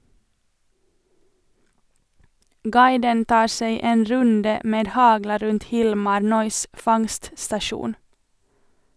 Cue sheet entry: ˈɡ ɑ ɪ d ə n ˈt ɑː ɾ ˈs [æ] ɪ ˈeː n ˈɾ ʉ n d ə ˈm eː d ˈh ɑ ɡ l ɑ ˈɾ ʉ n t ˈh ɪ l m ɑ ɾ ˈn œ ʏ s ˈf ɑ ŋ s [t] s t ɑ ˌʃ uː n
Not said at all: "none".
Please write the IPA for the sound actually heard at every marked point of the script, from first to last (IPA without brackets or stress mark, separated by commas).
e, t